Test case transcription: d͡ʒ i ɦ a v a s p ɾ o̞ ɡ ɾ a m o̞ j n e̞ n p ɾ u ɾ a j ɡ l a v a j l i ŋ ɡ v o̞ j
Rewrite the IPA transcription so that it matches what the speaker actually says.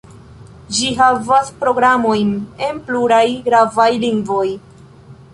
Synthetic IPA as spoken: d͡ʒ i ɦ a v a s p ɾ o̞ ɡ ɾ a m o̞ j n e̞ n p l u ɾ a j ɡ ɾ a v a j l i ŋ ɡ v o̞ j

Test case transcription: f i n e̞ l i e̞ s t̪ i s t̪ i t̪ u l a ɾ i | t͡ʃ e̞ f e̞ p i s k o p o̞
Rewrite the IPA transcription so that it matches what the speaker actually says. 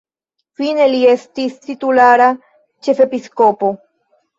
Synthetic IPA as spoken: f i n e̞ l i e̞ s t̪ i s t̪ i t̪ u l a ɾ a | t͡ʃ e̞ f e̞ p i s k o p o̞

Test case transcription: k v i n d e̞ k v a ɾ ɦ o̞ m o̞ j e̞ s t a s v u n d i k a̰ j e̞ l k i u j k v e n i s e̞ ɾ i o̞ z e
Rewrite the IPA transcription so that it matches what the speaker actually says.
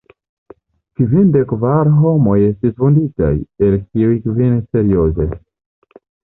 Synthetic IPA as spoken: k v i n d e̞ k v a ɾ ɦ o̞ m o̞ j e̞ s t i s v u n d i t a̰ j e̞ l k i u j k v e n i s e̞ ɾ i o̞ z e

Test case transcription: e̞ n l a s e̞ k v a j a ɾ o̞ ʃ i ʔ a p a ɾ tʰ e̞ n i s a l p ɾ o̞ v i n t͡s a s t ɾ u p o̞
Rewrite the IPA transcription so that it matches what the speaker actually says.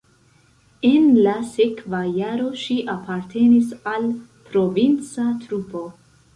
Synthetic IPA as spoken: e̞ n l a s e̞ k v a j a ɾ o̞ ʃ i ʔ a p a ɾ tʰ e̞ n i s a l p ɾ o̞ v i n t͡s a t ɾ u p o̞

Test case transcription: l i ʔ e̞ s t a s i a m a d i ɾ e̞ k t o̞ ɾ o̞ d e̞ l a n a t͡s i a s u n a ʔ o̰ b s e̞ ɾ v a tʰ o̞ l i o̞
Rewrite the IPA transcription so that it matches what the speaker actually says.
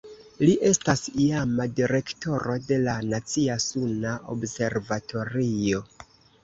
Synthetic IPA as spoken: l i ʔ e̞ s t a s i a m a d i ɾ e̞ k t o̞ ɾ o̞ d e̞ l a n a t͡s i a s u n a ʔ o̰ b s e̞ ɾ v a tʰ o̞ ɾ i o̞

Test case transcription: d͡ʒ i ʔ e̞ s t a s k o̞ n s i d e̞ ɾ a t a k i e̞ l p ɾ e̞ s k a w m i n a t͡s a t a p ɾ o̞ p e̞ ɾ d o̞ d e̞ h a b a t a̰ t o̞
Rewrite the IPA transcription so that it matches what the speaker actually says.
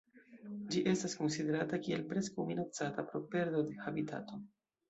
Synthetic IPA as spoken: d͡ʒ i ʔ e̞ s t a s k o̞ n s i d e̞ ɾ a t a k i e̞ l p ɾ e̞ s k a w m i n a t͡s a t a p ɾ o̞ p e̞ ɾ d o̞ d e̞ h a b i t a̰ t o̞

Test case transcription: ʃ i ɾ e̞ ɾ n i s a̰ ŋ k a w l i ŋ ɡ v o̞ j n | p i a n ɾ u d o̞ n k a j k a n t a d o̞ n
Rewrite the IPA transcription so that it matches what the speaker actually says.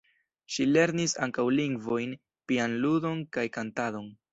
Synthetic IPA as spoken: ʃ i l e̞ ɾ n i s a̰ ŋ k a w l i ŋ ɡ v o̞ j n | p i a n l u d o̞ n k a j k a n t a d o̞ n

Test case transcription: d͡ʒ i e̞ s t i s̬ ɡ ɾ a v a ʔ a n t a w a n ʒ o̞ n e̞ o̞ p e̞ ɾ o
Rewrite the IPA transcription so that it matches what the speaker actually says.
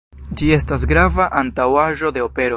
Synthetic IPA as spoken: d͡ʒ i e̞ s t a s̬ ɡ ɾ a v a ʔ a n t a w a ʒ o̞ d e̞ o̞ p e̞ ɾ o

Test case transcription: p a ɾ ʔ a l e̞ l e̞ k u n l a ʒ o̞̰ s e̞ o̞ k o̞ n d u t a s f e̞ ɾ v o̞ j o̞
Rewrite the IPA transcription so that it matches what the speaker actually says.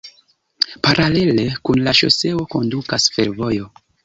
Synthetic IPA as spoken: p a ɾ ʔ a l e̞ l e̞ k u n l a ʃ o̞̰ s e̞ o̞ k o̞ n d u k a s f e̞ ɾ v o̞ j o̞

